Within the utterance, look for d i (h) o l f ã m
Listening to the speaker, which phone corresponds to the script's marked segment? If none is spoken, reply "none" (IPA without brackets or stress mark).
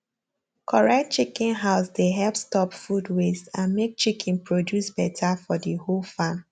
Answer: h